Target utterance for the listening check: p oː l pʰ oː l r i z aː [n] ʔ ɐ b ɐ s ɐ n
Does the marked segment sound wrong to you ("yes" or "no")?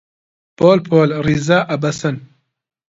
yes